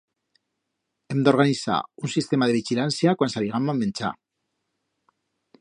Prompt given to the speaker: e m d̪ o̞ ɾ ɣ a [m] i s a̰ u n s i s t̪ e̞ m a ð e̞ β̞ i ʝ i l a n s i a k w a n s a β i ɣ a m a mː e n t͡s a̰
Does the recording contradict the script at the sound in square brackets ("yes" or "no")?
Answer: yes